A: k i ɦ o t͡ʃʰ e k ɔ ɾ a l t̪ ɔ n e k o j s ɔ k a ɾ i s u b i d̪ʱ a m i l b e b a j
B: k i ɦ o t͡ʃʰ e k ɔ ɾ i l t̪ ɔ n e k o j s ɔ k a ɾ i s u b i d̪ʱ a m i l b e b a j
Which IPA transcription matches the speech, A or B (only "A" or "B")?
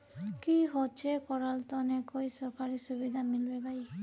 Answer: A